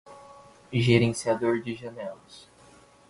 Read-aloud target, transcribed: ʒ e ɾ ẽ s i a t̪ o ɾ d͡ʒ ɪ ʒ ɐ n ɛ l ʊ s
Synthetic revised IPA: ʒ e ɾ ẽ s i a d̪ o ɾ d͡ʒ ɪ ʒ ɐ n ɛ l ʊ s